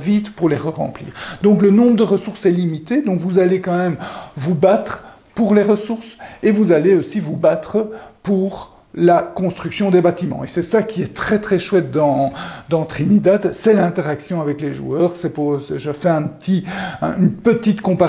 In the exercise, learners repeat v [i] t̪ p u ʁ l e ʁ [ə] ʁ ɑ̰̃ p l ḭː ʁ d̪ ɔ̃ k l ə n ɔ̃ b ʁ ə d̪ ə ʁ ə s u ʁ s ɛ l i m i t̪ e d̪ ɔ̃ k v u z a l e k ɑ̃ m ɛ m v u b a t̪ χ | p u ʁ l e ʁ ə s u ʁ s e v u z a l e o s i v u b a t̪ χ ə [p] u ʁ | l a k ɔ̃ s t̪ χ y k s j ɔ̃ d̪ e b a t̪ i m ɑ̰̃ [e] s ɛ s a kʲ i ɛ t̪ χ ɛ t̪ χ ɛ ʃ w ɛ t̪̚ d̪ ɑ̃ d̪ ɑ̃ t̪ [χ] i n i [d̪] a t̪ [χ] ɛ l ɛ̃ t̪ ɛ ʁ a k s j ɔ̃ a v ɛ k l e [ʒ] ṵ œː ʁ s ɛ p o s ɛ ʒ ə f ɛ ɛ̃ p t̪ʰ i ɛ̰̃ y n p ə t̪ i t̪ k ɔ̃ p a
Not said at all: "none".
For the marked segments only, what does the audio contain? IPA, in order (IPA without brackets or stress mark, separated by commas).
i, ə, p, e, χ, d̪, s, ʒ